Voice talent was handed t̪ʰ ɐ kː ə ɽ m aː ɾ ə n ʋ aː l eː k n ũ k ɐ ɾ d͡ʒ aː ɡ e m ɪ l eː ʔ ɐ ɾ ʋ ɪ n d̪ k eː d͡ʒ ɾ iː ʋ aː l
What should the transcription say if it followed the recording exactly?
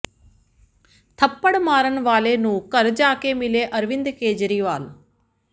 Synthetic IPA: t̪ʰ ɐ pː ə ɽ m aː ɾ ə n ʋ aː l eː n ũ k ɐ ɾ d͡ʒ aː k e m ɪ l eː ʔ ɐ ɾ ʋ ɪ n d̪ k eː d͡ʒ ɾ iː ʋ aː l